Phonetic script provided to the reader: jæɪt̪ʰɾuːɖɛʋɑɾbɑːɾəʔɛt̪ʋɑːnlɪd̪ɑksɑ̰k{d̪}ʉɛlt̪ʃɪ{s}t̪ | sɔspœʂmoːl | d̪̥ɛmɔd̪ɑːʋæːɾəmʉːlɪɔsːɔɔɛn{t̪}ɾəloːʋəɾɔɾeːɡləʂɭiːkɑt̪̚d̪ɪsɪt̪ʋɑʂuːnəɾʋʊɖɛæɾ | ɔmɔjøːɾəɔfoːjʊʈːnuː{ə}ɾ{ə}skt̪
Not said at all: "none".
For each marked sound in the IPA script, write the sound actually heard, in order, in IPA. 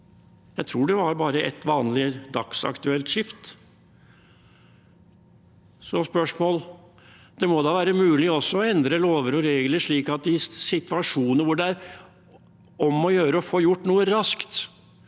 t̪, f, d̪, ə, ɑ

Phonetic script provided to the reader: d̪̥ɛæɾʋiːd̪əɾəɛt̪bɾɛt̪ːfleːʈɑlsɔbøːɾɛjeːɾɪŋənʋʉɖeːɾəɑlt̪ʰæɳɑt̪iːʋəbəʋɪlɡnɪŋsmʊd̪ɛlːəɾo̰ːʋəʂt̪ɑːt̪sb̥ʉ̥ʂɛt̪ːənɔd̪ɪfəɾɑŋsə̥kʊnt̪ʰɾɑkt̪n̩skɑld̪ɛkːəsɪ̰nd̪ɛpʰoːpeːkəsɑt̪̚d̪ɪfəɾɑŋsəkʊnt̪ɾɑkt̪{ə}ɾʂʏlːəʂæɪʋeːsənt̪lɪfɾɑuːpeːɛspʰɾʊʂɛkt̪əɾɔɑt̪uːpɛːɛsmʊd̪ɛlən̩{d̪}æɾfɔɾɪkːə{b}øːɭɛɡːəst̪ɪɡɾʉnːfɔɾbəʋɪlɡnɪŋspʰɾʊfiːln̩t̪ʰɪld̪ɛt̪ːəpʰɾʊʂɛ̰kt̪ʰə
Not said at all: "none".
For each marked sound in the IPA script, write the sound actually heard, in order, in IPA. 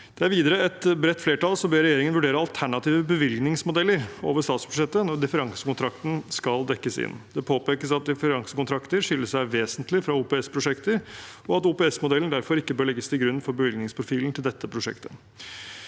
ə, d̪, b

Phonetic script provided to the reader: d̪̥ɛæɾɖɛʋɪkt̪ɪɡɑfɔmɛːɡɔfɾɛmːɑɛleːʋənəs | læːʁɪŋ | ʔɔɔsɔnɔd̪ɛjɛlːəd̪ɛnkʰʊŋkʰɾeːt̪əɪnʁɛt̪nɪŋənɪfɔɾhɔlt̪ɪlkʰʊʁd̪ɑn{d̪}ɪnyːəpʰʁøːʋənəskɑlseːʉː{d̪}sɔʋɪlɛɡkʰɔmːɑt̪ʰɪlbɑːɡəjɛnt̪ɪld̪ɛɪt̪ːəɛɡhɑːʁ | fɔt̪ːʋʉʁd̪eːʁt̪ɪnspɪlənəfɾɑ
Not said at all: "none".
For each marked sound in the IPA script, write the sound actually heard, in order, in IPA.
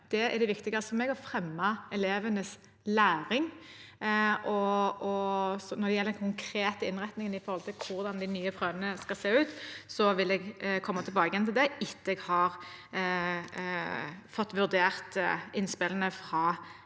d̪, t̪

